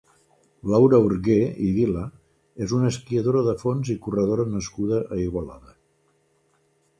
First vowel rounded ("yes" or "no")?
no